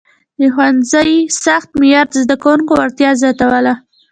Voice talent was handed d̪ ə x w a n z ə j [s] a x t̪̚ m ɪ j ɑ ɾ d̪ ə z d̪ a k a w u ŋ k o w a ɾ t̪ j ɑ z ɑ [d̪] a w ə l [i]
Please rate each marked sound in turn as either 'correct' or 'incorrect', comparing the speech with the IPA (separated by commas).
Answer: correct, incorrect, incorrect